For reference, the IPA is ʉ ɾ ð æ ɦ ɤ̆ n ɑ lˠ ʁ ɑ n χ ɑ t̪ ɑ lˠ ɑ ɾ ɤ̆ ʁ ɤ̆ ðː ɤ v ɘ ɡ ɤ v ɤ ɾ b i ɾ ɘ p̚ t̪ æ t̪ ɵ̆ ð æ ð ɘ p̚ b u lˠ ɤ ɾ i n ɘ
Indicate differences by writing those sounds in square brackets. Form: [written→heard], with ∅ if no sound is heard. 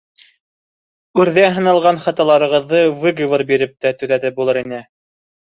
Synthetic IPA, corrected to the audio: ʉ ɾ ð æ ɦ ɤ̆ n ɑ lˠ ʁ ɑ n χ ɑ t̪ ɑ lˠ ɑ ɾ ɤ̆ ʁ ɤ̆ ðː ɤ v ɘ ɡ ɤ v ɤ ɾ b i ɾ ɘ p̚ t̪ æ t̪ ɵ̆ ð æ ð ɘ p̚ b u lˠ ɤ ɾ i n ɘ